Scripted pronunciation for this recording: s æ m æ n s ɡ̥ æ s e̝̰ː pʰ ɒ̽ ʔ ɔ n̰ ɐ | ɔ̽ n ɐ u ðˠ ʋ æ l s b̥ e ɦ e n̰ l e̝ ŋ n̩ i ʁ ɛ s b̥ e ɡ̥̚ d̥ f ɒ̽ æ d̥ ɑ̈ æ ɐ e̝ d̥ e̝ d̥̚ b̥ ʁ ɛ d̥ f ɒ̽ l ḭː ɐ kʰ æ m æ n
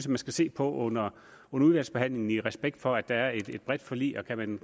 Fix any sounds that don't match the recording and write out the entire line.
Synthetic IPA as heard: s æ m æ n s ɡ̥ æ s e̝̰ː pʰ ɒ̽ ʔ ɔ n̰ ɐ | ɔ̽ n ɐ u ðˠ ʋ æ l s b̥ e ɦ æ n̰ l e̝ ŋ n̩ i ʁ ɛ s b̥ e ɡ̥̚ d̥ f ɒ̽ æ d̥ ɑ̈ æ ɐ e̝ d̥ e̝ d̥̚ b̥ ʁ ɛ d̥ f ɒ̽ l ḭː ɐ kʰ æ m æ n